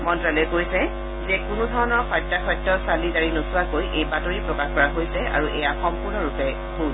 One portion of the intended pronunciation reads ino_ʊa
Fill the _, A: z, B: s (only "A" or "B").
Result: B